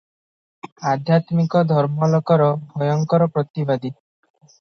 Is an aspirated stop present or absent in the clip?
absent